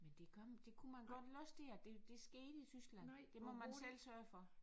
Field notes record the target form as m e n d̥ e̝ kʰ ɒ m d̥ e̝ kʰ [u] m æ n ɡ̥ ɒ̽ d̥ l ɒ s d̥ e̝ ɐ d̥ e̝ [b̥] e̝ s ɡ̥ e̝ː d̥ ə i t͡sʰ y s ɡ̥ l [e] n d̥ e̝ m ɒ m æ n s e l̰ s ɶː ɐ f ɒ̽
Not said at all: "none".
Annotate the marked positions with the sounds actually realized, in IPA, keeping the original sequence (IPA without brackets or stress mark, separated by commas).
u, d̥, æ